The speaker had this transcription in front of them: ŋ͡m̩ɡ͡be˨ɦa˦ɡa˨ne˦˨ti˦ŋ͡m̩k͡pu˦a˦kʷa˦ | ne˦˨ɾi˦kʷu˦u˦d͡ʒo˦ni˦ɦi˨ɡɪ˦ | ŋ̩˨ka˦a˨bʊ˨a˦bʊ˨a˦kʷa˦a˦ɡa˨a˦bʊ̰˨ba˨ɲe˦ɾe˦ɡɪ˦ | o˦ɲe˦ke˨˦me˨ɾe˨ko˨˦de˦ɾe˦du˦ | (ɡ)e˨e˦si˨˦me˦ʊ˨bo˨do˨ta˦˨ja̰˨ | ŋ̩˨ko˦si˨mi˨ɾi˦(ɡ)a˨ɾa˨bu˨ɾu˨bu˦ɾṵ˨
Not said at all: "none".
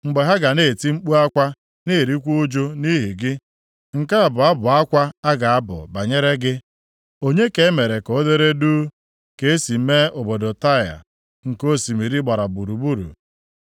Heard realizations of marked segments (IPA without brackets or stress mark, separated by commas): k, ɡ͡b